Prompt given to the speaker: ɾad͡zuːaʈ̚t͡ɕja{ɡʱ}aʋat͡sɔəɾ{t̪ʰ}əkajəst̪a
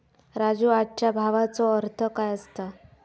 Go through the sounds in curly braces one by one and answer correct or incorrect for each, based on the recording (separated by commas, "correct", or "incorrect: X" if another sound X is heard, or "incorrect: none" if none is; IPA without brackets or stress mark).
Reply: incorrect: bʱ, correct